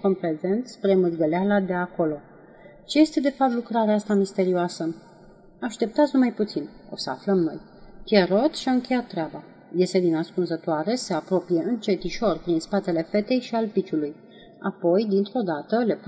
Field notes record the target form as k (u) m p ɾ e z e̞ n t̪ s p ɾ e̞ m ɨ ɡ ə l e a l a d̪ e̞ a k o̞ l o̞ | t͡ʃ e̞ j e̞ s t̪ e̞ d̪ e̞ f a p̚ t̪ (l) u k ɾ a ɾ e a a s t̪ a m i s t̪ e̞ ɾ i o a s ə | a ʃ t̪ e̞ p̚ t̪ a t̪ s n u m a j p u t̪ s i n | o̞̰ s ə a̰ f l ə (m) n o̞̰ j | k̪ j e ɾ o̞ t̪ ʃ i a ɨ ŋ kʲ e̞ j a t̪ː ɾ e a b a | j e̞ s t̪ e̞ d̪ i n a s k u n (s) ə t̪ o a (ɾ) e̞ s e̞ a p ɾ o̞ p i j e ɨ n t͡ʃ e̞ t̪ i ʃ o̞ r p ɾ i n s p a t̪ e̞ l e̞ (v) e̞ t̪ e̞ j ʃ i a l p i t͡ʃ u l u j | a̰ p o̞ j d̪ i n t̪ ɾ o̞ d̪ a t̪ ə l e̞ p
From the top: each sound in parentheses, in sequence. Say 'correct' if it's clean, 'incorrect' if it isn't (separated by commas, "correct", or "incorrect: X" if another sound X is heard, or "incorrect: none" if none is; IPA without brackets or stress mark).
incorrect: o, correct, correct, incorrect: z, correct, incorrect: f